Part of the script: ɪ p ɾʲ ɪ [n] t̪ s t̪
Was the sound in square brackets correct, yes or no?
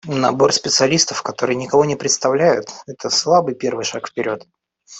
no